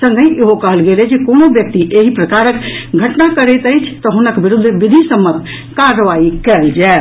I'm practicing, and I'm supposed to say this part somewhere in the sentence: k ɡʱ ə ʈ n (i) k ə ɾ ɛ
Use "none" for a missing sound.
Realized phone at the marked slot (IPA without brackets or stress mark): a